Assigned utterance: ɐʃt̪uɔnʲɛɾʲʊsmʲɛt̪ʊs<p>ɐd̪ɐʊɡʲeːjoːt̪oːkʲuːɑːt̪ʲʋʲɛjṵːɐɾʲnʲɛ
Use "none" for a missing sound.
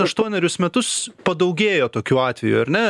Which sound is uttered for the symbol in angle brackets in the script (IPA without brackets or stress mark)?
p